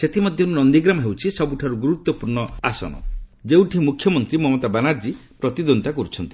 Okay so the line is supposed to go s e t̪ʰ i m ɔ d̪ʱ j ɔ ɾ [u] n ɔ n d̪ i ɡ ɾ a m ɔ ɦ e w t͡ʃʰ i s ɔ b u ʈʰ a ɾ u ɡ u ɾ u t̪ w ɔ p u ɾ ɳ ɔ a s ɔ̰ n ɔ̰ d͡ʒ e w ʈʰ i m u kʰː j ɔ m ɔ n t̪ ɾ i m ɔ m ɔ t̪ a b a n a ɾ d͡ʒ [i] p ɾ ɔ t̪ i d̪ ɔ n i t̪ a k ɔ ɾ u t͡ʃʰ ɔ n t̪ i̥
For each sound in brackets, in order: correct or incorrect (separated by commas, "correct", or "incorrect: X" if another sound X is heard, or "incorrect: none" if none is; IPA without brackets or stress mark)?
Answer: correct, correct